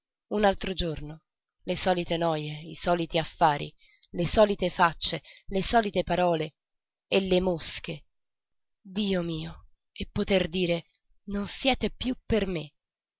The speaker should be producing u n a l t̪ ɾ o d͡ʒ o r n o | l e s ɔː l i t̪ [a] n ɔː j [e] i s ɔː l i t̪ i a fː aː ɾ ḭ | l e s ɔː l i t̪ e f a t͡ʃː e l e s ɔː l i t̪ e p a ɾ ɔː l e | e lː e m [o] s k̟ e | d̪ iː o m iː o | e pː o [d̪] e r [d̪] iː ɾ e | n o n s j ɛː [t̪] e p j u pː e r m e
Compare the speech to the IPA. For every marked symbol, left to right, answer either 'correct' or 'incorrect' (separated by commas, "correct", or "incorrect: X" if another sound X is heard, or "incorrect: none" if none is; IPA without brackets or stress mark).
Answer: incorrect: e, correct, correct, incorrect: t̪, correct, correct